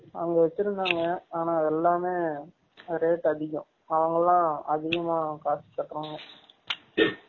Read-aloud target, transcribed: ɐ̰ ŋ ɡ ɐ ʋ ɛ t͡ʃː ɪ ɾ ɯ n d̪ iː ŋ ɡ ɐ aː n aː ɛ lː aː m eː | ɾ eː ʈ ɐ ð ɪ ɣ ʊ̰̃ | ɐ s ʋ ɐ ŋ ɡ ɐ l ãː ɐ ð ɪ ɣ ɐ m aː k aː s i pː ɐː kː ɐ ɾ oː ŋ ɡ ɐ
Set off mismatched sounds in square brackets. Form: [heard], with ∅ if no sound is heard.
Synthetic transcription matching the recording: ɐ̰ ŋ ɡ ɐ ʋ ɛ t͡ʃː ɪ ɾ ɯ n d̪ [aː] ŋ ɡ ɐ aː n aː ɛ lː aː m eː | ɾ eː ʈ ɐ ð ɪ ɣ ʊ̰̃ | ɐ [∅] ʋ ɐ ŋ ɡ ɐ l ãː ɐ ð ɪ ɣ ɐ m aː k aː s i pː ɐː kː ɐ ɾ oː ŋ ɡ ɐ